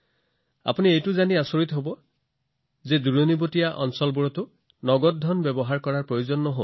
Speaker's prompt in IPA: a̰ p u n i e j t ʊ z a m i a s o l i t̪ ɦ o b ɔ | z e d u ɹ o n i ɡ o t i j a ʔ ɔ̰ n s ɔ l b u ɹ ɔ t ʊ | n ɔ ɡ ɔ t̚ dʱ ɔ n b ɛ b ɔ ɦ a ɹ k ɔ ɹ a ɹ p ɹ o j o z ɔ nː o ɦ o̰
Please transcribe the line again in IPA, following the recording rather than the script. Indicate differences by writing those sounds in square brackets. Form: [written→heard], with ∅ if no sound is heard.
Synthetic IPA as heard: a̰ p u n i e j t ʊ z a [m→n] i a s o [l→ɹ] i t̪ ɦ o b ɔ | z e d u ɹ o n i [ɡ→b] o t i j a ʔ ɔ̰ n s ɔ l b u ɹ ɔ t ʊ | n ɔ ɡ ɔ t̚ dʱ ɔ n b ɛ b ɔ ɦ a ɹ k ɔ ɹ a ɹ p ɹ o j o z ɔ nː [o→ɔ] ɦ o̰

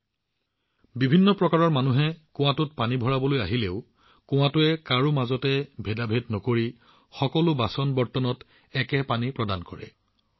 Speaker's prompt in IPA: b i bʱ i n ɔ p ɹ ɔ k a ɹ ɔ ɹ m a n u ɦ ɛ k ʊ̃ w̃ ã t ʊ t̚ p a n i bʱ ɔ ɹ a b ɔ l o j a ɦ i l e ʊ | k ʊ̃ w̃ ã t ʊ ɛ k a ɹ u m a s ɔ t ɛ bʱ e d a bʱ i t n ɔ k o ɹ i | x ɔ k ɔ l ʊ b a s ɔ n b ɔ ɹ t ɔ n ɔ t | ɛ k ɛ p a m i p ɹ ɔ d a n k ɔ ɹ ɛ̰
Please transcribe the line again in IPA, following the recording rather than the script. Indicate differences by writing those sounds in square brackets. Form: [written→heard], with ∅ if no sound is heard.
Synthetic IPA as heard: b i bʱ i [n→nː] ɔ p ɹ ɔ k a ɹ ɔ ɹ m a n u ɦ ɛ k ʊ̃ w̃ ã t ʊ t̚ p a n i bʱ ɔ ɹ a b ɔ l o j a ɦ i l e ʊ | k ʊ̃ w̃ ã t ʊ ɛ k a ɹ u m a [s→z] ɔ t ɛ bʱ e d a bʱ [i→e] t n ɔ k o ɹ i | x ɔ k ɔ l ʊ b a s ɔ n b ɔ ɹ t ɔ n ɔ t | ɛ k ɛ p a [m→n] i p ɹ ɔ d a n k ɔ ɹ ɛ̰

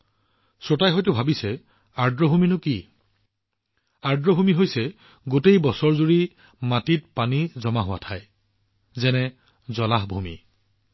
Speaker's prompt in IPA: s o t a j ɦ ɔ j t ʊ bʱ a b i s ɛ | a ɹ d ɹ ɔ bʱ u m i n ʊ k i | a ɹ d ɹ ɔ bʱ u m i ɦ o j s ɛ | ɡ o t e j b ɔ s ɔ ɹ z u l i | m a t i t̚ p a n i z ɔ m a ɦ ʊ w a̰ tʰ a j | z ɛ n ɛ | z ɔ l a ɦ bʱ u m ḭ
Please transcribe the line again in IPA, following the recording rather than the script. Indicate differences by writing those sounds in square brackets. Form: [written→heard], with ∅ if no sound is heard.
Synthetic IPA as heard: s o t a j ɦ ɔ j t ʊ bʱ a b i s ɛ | a ɹ d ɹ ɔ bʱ u m i n ʊ k i | a ɹ d ɹ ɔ bʱ u m i ɦ o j s ɛ | ɡ o t e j b ɔ s ɔ ɹ z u [l→ɹ] i | m a t i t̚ p a n i z ɔ m a ɦ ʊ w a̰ tʰ a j | z ɛ n ɛ | z ɔ l a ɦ bʱ u m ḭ

